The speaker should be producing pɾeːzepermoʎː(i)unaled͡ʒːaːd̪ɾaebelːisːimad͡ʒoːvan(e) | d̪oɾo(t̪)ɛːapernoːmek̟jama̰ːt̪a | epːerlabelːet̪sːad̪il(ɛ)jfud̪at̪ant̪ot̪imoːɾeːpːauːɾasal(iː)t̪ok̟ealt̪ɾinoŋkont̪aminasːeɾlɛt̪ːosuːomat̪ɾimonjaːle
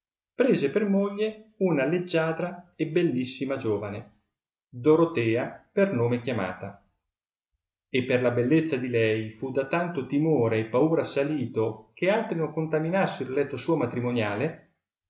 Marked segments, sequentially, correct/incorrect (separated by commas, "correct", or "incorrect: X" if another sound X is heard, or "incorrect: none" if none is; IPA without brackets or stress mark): incorrect: e, correct, correct, correct, correct